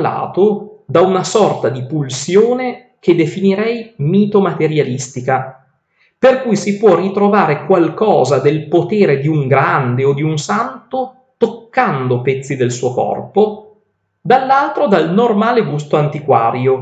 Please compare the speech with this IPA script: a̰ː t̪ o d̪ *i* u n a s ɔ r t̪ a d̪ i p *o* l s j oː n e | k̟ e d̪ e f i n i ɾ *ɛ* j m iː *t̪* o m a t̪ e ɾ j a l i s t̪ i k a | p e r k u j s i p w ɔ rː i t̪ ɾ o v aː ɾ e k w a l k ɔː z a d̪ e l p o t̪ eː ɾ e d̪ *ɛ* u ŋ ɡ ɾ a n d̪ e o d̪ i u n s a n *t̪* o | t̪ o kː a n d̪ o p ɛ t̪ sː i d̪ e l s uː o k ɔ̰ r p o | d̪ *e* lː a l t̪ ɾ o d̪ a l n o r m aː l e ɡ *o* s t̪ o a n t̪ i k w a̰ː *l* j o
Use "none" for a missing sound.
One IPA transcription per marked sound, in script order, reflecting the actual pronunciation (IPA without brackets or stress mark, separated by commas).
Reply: a, u, ɛ, t̪, i, t̪, a, u, ɾ